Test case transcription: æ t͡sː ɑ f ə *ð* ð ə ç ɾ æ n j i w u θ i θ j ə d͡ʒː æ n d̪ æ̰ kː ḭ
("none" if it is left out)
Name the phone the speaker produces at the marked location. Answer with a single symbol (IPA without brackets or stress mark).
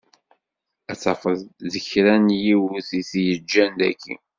ð